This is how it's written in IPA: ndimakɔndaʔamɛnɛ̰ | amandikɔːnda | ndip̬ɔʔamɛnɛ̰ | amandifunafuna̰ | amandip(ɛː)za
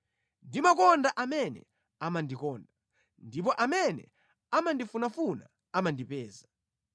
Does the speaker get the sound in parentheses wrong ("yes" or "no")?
no